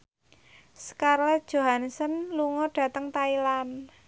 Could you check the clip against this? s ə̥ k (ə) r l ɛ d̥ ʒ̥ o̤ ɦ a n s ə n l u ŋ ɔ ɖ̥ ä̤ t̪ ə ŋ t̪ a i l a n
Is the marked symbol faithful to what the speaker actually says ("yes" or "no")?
no